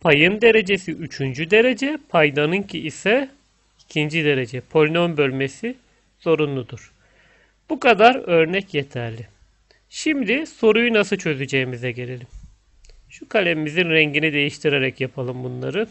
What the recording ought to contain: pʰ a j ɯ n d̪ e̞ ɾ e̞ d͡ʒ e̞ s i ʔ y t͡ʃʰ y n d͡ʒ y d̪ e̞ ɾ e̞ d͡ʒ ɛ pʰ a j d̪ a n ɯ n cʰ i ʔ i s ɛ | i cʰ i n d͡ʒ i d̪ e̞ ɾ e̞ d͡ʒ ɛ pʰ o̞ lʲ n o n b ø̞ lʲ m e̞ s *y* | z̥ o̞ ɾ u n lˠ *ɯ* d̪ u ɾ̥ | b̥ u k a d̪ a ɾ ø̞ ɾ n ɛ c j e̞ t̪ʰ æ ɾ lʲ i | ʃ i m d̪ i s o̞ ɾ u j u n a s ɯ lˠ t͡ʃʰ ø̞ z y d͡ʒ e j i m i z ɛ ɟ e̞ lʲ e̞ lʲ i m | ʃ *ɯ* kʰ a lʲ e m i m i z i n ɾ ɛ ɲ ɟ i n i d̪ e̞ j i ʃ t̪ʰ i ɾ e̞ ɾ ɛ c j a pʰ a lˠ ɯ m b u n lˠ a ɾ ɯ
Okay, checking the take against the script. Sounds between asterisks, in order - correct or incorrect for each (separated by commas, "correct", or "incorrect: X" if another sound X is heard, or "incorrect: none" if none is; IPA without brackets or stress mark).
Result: incorrect: i, incorrect: u, incorrect: u